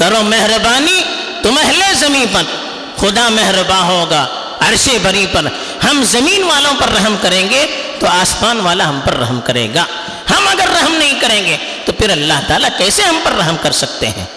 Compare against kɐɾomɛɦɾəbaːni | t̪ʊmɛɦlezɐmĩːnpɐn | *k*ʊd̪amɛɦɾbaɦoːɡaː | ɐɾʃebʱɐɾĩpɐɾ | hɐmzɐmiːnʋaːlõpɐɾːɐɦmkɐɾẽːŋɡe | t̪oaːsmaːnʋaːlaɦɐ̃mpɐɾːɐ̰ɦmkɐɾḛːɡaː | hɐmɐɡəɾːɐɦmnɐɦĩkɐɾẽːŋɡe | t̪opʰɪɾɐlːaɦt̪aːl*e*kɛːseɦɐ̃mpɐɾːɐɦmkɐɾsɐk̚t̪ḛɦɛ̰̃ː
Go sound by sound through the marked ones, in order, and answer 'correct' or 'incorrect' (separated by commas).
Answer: incorrect, incorrect